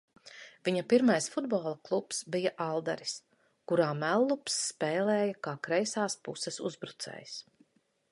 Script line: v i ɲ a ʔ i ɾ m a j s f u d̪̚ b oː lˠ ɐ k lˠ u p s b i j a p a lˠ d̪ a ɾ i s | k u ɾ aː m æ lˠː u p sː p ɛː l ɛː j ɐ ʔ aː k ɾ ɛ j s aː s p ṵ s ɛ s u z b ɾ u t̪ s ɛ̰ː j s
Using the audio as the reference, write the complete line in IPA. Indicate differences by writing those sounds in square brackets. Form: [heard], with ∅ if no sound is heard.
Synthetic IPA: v i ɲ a [p] i ɾ m a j s f u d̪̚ b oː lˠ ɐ k lˠ u p s b i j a [ʔ] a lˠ d̪ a ɾ i s | k u ɾ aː m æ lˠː u p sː p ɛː l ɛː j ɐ [k] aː k ɾ ɛ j s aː s p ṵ s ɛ s u z b ɾ u t̪ s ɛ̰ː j s

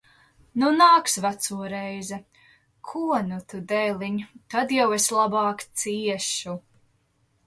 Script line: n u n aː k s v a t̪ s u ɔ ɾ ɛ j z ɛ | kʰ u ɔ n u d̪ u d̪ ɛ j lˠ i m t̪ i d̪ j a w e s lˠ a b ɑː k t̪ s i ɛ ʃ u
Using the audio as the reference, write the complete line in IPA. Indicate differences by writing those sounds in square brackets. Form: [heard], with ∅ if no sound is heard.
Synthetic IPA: n u n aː k s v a t̪ s u ɔ ɾ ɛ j z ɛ | kʰ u ɔ n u [t̪] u d̪ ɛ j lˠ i [ɲ] t̪ [a] d̪ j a w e s lˠ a b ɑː k t̪ s i ɛ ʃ u

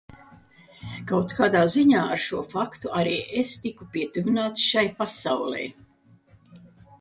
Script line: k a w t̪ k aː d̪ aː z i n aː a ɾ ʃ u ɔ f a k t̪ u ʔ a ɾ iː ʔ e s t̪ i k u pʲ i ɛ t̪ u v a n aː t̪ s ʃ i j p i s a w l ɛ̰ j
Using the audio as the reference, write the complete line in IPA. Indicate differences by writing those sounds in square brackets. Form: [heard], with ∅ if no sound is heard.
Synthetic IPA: k a w t̪ k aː d̪ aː z i [ɲ] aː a ɾ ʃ u ɔ f a k t̪ u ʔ a ɾ iː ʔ e s t̪ i k u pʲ i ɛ t̪ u v [i] n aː t̪ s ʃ [a] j p [a] s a w l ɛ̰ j

